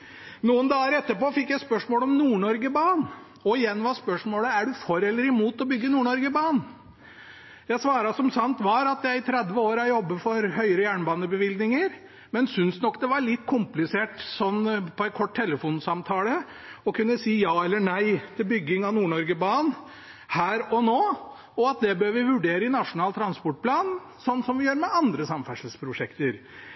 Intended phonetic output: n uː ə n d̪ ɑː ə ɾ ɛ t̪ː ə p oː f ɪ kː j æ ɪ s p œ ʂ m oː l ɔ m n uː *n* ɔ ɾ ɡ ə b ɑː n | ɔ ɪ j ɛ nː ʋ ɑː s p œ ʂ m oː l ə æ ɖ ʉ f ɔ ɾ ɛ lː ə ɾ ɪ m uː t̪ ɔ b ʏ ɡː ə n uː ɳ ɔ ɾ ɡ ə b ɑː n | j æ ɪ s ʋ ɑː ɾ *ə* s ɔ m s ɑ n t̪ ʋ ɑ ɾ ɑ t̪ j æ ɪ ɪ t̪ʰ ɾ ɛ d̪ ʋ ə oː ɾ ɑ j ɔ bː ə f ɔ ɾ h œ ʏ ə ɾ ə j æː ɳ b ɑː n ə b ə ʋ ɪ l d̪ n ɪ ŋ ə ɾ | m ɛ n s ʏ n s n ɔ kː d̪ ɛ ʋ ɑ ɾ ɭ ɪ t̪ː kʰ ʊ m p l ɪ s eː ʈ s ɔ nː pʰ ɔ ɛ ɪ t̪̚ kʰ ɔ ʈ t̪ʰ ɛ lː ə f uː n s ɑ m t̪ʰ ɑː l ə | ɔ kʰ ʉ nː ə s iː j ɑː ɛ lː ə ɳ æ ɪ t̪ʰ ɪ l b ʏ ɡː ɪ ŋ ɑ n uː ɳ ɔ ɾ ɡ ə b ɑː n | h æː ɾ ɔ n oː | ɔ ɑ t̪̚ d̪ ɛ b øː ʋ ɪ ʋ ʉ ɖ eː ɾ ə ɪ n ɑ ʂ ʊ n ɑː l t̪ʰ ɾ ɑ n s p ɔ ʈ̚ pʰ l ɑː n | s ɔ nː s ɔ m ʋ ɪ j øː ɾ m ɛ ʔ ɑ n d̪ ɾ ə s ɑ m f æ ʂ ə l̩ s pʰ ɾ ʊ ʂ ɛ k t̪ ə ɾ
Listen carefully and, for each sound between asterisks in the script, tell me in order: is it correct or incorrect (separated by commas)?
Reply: incorrect, incorrect